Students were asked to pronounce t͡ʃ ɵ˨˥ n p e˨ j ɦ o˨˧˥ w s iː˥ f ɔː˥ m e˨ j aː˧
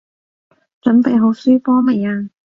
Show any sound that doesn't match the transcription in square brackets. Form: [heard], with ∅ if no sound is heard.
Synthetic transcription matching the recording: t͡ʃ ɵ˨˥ n p e˨ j ɦ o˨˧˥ w s [yː˥] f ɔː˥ m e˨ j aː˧